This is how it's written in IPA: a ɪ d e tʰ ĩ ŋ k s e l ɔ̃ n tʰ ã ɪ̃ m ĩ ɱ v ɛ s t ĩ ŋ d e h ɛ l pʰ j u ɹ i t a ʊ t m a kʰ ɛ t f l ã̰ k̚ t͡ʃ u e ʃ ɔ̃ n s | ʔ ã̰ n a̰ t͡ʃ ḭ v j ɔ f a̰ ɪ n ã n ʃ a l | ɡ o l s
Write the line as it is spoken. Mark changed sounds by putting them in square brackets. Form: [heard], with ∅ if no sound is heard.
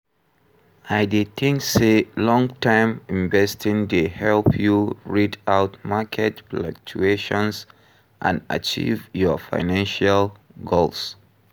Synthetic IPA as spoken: a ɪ d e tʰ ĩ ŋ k s e l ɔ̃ [ŋ] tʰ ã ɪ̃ m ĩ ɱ v ɛ s t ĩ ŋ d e h ɛ l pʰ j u ɹ i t a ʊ t m a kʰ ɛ t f l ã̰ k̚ t͡ʃ u e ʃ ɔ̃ n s | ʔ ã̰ n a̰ t͡ʃ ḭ v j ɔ f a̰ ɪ n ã n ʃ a l | ɡ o l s